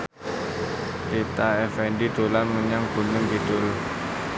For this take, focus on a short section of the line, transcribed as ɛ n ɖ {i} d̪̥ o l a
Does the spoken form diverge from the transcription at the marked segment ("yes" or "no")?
no